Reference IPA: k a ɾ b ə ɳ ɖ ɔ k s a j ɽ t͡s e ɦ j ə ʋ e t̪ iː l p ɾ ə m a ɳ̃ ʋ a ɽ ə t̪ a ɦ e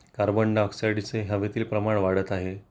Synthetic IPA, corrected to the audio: k a ɾ b ə ɳ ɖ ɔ k s a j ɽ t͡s e ɦ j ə ʋ e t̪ iː l p ɾ ə m a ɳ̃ ʋ a ɽ ə t̪ a ɦ e